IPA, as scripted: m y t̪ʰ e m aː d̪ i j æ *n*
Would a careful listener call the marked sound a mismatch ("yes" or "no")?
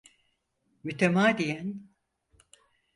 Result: no